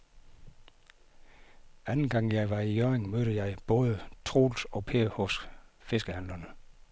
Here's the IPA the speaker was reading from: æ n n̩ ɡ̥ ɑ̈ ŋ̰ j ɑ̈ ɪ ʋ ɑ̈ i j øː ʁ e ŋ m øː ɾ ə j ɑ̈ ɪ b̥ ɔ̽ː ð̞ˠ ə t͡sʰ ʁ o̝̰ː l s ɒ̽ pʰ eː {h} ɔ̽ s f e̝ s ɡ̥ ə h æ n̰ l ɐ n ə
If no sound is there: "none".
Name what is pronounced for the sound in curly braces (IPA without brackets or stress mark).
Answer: h